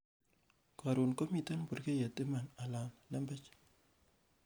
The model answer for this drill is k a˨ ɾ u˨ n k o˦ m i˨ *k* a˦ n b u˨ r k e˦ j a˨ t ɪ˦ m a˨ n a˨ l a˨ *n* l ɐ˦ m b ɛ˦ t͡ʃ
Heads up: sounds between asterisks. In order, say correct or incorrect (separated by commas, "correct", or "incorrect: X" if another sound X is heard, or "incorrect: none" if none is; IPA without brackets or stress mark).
incorrect: t, correct